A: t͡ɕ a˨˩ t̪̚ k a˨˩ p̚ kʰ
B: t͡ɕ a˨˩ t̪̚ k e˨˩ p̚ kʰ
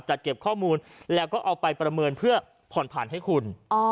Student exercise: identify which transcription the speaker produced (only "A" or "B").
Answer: B